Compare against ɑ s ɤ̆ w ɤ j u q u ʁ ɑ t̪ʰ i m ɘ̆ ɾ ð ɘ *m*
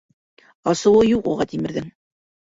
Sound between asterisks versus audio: incorrect: ŋ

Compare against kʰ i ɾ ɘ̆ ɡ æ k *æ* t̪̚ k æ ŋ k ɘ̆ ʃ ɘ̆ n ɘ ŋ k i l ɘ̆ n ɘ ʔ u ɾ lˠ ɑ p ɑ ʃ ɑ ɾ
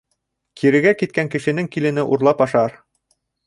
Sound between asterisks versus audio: incorrect: i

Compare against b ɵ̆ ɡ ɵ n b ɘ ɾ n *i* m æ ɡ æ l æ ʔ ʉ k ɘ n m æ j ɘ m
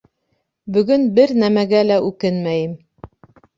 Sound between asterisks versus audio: incorrect: æ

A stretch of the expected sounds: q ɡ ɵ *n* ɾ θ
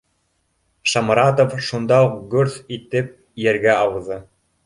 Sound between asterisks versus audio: incorrect: none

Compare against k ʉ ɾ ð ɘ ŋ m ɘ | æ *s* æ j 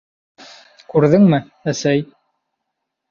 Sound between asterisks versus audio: correct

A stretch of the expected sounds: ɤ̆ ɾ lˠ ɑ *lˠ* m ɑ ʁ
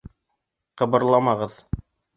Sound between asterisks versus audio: incorrect: none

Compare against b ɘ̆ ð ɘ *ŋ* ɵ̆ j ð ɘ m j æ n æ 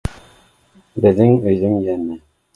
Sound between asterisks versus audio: correct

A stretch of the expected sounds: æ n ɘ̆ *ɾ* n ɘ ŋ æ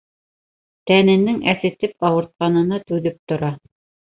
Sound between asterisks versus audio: incorrect: none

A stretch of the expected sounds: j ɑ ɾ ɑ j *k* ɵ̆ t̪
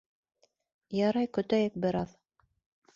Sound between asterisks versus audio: correct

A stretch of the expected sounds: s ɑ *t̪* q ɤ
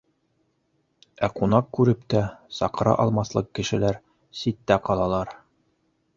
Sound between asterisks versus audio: incorrect: none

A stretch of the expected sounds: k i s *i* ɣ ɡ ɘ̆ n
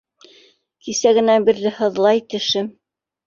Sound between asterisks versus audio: incorrect: æ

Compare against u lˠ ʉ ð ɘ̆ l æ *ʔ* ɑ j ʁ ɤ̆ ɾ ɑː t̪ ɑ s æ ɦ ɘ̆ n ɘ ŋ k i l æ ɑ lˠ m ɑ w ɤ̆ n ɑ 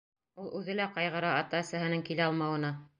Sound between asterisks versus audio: incorrect: q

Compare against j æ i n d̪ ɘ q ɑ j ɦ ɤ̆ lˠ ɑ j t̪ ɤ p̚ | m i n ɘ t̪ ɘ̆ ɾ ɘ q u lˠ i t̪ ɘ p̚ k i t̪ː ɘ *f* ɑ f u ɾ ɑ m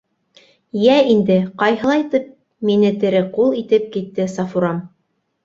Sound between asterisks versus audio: incorrect: s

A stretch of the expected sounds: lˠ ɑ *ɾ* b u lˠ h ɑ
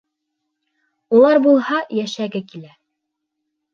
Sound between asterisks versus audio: correct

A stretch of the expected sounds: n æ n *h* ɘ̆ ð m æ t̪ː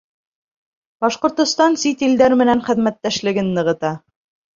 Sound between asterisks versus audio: incorrect: χ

